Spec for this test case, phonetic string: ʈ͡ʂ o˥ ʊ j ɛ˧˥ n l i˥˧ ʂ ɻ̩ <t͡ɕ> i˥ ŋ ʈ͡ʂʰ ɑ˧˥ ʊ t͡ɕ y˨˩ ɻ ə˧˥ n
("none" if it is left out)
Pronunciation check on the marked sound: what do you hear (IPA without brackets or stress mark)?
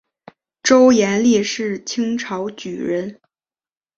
t͡ɕʰ